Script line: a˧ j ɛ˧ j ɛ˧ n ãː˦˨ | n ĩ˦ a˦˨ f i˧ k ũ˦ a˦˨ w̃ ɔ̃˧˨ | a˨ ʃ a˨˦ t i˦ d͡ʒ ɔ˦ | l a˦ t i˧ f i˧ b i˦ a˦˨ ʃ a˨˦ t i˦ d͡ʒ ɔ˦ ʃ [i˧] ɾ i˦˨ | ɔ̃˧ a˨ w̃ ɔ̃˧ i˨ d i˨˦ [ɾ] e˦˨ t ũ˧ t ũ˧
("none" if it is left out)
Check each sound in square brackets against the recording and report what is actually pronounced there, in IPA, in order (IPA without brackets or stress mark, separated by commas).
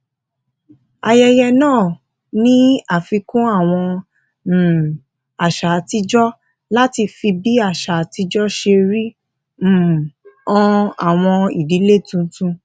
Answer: e˧, l